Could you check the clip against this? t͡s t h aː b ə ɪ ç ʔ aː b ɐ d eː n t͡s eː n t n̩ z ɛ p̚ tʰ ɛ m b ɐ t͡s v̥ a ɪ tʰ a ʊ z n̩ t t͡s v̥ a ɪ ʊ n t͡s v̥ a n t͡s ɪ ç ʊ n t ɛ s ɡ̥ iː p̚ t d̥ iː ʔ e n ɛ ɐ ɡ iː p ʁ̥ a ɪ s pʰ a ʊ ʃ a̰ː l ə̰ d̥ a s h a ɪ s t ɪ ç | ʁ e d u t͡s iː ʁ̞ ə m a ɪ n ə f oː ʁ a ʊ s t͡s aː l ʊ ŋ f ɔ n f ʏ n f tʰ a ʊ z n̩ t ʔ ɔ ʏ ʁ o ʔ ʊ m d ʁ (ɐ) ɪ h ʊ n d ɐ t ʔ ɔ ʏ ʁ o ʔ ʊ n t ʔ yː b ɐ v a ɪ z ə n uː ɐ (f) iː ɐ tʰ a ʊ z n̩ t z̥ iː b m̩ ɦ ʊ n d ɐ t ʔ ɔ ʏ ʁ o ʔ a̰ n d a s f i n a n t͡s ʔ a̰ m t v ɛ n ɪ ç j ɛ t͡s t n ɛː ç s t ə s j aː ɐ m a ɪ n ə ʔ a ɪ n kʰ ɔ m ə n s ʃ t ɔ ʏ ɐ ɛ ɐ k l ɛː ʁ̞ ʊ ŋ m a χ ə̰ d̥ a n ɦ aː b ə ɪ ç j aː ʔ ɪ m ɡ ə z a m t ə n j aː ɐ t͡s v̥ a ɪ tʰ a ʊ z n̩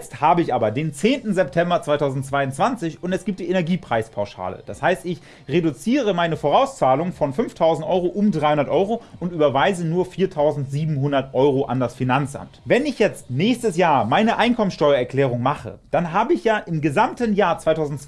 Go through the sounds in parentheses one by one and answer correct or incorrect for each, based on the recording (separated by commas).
incorrect, correct